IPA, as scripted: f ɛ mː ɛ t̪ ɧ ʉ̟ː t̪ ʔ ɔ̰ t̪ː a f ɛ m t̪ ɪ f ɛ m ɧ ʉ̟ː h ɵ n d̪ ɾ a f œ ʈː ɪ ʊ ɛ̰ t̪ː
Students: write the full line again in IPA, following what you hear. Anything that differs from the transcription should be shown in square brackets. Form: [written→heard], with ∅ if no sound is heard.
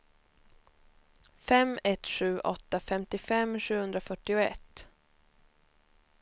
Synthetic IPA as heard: f ɛ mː ɛ t̪ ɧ ʉ̟ː [t̪→∅] ʔ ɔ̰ t̪ː a f ɛ m t̪ ɪ f ɛ m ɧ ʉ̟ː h ɵ n d̪ ɾ a f œ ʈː ɪ ʊ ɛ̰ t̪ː